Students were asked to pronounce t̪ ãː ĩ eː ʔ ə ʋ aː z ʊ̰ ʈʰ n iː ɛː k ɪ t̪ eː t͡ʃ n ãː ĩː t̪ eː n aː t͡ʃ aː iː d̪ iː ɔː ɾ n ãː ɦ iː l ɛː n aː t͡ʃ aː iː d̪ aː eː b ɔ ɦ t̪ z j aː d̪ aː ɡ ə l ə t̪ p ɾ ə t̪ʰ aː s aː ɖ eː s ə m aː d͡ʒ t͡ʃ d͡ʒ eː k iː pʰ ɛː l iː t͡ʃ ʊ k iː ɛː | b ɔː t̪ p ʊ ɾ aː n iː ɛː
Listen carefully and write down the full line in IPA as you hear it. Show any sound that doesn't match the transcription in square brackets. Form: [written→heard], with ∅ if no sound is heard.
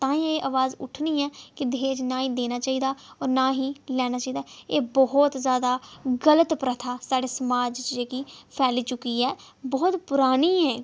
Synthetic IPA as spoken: t̪ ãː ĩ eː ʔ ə ʋ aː z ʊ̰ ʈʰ n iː ɛː k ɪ [t̪→d̪] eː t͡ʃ n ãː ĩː [t̪→d̪] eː n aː t͡ʃ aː iː d̪ [iː→aː] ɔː ɾ n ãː ɦ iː l ɛː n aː t͡ʃ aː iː d̪ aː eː b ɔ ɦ t̪ z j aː d̪ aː ɡ ə l ə t̪ p ɾ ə t̪ʰ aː s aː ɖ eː s ə m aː d͡ʒ t͡ʃ d͡ʒ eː k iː pʰ ɛː l iː t͡ʃ ʊ k iː ɛː | b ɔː t̪ p ʊ ɾ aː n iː ɛː

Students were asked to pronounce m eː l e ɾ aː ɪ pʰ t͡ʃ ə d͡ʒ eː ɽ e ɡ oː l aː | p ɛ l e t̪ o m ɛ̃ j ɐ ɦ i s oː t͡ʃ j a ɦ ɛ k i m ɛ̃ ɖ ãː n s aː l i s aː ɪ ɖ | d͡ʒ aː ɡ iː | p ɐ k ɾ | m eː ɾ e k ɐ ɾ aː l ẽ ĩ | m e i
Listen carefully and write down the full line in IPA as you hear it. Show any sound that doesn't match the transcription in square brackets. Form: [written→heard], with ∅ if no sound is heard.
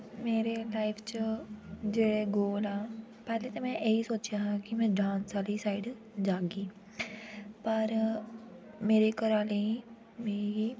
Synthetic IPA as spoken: m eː [l→ɾ] e [ɾ→l] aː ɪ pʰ t͡ʃ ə d͡ʒ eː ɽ e ɡ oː l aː | p [ɛ→ɛː] l e t̪ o m ɛ̃ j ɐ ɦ i s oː t͡ʃ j a ɦ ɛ k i m ɛ̃ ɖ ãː n s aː l i s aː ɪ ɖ | d͡ʒ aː ɡ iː | p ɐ [k→∅] ɾ | m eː ɾ e k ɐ ɾ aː l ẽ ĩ | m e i

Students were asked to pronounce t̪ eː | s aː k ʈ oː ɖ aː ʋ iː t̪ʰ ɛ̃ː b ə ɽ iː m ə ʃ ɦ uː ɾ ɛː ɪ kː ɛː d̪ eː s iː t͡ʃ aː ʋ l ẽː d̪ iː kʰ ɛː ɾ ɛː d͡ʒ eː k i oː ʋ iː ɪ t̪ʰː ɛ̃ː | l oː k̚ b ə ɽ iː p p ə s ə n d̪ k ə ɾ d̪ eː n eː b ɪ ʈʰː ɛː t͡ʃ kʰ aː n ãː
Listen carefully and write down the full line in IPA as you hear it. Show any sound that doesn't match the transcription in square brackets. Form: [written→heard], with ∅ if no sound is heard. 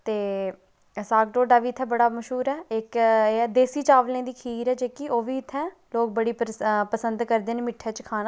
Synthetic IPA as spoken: t̪ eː | s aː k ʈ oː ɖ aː ʋ iː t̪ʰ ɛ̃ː b ə ɽ [iː→aː] m ə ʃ ɦ uː ɾ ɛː ɪ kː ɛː d̪ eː s iː t͡ʃ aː ʋ l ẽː d̪ iː kʰ [ɛː→iː] ɾ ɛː d͡ʒ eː k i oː ʋ iː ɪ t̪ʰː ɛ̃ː | l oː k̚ b ə ɽ iː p p ə s ə n d̪ k ə ɾ d̪ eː n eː [b→m] ɪ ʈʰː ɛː t͡ʃ kʰ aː n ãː

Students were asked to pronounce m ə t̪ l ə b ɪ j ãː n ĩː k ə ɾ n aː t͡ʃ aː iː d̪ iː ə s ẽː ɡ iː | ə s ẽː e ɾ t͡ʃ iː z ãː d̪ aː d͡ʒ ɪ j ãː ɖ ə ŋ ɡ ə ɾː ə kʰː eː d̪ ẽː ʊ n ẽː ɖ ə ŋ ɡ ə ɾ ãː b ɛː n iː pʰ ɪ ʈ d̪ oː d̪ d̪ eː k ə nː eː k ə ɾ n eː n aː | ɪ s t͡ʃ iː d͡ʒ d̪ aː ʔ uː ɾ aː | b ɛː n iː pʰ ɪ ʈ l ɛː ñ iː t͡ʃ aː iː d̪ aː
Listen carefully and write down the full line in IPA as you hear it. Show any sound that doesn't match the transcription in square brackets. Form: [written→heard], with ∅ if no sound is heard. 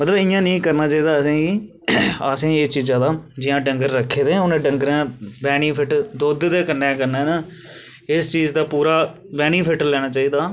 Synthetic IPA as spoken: m ə t̪ l ə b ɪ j ãː n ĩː k ə ɾ n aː t͡ʃ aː iː d̪ [iː→aː] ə s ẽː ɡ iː | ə s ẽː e [ɾ→∅] t͡ʃ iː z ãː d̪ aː d͡ʒ ɪ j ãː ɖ ə ŋ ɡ ə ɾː ə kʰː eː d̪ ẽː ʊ n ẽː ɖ ə ŋ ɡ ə ɾ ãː b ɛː n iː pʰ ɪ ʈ d̪ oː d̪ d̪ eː k ə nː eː k ə ɾ n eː n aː | ɪ s t͡ʃ iː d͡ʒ d̪ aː [ʔ→p] uː ɾ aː | b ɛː n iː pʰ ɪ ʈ l ɛː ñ [iː→aː] t͡ʃ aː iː d̪ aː

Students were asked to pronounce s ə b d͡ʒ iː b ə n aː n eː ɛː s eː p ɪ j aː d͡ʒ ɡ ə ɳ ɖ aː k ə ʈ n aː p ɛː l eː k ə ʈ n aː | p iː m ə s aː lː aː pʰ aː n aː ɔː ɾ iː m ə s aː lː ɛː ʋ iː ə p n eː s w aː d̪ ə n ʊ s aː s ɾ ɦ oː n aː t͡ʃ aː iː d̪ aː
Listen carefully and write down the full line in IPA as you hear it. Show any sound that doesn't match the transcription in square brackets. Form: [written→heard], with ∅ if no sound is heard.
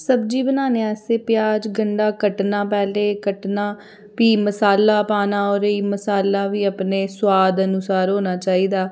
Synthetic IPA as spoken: s ə b d͡ʒ iː b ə n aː n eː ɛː s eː p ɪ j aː d͡ʒ ɡ ə ɳ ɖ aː k ə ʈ n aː p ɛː l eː k ə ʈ n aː | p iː m ə s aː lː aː [pʰ→p] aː n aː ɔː ɾ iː m ə s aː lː [ɛː→aː] ʋ iː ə p n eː s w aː d̪ ə n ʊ s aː [s→∅] ɾ ɦ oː n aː t͡ʃ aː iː d̪ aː

